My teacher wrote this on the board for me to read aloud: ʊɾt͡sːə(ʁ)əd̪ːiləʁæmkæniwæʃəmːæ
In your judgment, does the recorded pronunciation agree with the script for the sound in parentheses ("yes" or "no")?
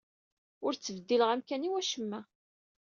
no